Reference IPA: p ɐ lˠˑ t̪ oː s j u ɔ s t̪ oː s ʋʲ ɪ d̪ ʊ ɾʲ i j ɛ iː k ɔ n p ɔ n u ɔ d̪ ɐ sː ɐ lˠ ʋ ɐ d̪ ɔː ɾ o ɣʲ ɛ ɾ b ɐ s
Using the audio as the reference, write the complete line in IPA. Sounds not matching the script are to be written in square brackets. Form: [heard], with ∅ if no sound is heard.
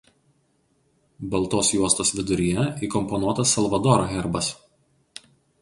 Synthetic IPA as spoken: [b] ɐ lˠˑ t̪ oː s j u ɔ s t̪ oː s ʋʲ ɪ d̪ ʊ ɾʲ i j ɛ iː k ɔ [m] p ɔ n u ɔ [t̪] ɐ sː ɐ lˠ ʋ ɐ d̪ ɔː ɾ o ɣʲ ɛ ɾ b ɐ s